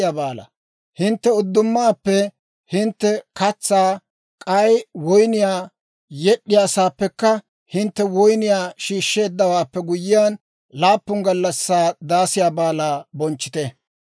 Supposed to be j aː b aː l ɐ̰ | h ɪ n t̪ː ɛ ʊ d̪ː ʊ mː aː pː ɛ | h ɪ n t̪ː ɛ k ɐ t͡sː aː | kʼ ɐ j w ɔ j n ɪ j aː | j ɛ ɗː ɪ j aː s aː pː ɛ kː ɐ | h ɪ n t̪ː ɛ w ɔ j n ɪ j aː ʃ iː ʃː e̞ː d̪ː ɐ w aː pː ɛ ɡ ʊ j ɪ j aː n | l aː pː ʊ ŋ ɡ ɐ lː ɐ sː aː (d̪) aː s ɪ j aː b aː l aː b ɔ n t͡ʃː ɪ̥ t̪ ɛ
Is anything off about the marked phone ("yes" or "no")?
no